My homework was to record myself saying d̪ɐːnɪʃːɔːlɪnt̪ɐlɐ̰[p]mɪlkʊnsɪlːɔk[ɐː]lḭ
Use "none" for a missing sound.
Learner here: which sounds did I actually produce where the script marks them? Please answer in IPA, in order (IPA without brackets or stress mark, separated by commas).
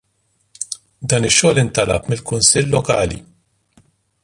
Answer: p, ɐː